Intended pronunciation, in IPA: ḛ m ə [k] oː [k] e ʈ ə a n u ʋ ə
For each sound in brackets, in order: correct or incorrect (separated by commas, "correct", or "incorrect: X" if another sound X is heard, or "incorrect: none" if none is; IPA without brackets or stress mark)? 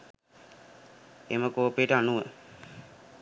correct, incorrect: p